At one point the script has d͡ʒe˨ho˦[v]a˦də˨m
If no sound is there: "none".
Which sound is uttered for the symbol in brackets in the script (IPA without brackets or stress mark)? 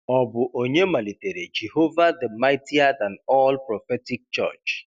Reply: v